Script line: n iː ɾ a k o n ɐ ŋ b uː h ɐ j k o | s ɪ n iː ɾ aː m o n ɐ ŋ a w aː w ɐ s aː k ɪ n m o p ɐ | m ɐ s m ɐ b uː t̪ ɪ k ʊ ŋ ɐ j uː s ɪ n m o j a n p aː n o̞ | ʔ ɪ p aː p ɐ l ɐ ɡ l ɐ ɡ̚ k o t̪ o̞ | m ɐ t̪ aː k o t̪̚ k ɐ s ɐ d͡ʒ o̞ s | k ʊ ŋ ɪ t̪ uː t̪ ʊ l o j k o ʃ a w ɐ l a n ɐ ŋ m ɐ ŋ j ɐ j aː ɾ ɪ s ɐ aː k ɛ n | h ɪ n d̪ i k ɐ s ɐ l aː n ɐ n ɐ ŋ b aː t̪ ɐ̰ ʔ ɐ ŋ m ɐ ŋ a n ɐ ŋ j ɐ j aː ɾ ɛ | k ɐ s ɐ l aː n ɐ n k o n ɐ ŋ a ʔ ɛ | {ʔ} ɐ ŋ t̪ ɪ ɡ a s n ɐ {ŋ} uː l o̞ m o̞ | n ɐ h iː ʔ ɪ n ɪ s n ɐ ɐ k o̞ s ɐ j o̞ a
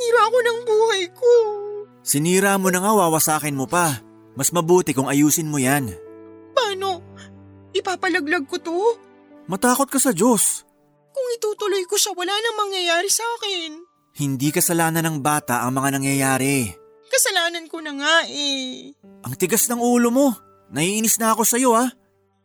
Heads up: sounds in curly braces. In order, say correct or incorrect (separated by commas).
correct, correct